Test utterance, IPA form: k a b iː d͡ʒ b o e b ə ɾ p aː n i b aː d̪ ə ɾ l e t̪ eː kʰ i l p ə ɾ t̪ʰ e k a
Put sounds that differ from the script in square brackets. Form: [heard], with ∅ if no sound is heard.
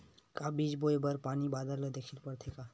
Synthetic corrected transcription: k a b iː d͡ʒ b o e b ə ɾ p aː n i b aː d̪ ə ɾ l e [d̪] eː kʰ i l p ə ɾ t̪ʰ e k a